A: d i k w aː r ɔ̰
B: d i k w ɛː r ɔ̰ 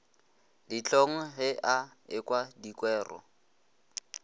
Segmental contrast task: B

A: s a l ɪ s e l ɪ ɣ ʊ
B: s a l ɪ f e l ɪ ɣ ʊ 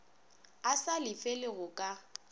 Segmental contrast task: B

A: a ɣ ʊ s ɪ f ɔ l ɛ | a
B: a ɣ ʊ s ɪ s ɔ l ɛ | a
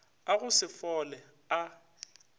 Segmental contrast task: A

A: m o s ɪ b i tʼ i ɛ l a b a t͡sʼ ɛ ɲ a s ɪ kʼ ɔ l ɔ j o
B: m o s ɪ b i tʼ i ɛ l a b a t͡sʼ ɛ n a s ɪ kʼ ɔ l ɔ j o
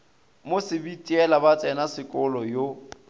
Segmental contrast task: B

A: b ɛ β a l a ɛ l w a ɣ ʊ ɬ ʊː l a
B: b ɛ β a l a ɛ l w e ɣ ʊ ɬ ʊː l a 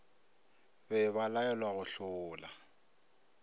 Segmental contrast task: A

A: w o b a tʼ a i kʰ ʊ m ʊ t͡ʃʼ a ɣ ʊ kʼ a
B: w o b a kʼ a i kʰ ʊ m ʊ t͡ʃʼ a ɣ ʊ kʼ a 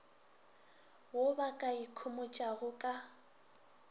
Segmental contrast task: B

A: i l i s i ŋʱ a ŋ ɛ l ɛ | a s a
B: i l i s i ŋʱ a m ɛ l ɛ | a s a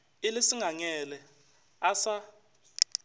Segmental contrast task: A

